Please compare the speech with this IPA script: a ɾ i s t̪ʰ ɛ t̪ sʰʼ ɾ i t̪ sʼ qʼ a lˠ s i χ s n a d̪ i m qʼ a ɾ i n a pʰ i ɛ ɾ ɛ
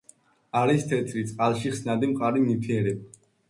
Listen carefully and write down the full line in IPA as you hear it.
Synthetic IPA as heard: a ɾ i s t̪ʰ ɛ t̪ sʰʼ ɾ i t̪ sʼ qʼ a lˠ ʃ i χ s n a d̪ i m qʼ a ɾ i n i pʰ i ɛ ɾ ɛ